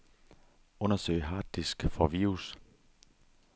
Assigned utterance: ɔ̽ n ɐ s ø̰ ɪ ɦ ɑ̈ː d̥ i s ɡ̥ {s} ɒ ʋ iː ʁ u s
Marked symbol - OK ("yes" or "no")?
no